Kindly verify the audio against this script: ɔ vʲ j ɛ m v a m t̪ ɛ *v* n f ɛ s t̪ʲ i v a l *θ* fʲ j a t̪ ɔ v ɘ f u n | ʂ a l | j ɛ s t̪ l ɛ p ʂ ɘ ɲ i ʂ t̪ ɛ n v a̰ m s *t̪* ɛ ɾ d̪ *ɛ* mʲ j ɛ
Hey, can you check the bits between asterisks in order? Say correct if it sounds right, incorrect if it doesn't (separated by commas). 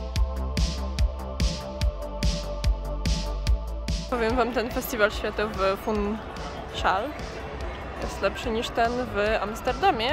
incorrect, incorrect, correct, incorrect